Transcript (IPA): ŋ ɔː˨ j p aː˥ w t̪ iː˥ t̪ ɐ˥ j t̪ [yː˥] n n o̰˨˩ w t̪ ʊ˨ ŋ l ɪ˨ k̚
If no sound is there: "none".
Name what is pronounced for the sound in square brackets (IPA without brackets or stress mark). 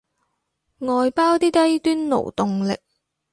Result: yː˥